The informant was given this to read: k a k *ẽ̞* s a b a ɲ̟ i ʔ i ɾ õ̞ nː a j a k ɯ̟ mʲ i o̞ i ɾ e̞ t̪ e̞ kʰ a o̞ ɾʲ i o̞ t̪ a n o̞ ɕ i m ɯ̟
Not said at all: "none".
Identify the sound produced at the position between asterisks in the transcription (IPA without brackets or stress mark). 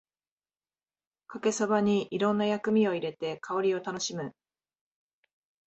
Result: e̞